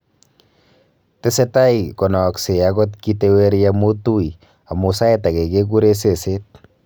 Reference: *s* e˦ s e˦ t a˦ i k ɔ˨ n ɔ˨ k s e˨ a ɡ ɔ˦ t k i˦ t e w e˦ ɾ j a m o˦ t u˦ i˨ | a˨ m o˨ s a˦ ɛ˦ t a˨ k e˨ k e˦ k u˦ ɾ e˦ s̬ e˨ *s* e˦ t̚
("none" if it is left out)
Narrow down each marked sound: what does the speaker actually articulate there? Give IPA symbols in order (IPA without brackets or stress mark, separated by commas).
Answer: t, s